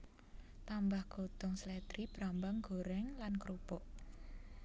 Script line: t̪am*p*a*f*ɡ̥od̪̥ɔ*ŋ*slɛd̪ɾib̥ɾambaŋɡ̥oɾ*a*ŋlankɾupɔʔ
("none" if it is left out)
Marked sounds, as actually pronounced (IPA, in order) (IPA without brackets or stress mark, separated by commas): b, h, ŋ, ɛ